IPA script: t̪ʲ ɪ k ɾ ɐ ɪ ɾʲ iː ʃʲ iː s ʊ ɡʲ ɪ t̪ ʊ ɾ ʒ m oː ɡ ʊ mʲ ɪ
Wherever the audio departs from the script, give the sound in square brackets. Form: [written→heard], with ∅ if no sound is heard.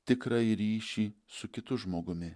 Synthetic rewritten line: t̪ʲ ɪ k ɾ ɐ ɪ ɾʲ iː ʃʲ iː s ʊ [ɡʲ→kʲ] ɪ t̪ ʊ [ɾ→∅] ʒ m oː ɡ ʊ mʲ ɪ